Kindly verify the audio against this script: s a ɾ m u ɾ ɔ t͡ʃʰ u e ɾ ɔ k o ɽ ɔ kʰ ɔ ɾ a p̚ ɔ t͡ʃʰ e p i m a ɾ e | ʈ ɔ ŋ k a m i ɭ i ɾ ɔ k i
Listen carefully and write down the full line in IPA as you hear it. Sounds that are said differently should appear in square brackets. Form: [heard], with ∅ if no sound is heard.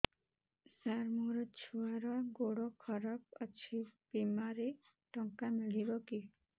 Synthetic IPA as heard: s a ɾ m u ɾ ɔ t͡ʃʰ u [a] ɾ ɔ [ɡ] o ɽ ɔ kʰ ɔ ɾ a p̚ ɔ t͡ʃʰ [i] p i m a ɾ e | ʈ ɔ ŋ k a m i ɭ i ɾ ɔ k i